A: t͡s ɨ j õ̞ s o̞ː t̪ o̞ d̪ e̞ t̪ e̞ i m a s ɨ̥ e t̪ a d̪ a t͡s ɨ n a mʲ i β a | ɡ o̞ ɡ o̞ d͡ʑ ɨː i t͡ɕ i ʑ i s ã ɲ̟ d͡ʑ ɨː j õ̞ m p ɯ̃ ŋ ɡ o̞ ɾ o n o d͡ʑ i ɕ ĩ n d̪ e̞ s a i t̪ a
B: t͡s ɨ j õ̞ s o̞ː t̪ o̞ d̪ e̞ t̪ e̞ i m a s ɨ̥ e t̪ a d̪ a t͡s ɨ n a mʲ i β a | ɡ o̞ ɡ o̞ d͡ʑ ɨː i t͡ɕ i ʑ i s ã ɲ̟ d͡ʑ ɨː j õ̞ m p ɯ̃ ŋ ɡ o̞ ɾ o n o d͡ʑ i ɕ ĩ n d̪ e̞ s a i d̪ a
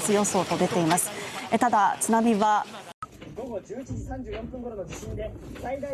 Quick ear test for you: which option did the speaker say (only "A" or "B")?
B